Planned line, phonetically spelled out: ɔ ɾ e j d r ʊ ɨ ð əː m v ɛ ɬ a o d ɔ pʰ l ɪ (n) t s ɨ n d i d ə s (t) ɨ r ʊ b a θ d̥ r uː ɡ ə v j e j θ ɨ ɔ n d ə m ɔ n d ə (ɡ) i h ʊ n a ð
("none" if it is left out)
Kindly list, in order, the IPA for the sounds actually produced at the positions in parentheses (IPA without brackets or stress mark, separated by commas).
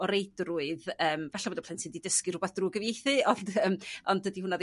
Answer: n, k, d